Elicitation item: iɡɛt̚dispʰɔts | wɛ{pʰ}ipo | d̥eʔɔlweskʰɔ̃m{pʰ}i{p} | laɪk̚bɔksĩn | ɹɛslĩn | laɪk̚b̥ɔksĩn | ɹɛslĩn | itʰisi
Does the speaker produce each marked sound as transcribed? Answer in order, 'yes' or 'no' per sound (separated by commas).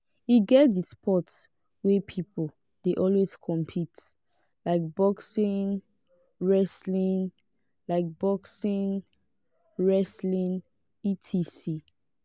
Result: yes, yes, no